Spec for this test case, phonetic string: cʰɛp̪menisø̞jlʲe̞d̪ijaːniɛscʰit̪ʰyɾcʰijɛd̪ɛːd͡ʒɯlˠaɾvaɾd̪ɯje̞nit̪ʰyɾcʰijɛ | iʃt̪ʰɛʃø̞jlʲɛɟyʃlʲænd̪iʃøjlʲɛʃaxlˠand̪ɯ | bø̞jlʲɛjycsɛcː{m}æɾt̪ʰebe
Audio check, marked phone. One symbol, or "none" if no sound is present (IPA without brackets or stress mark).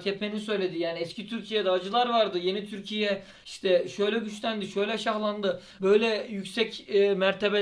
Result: m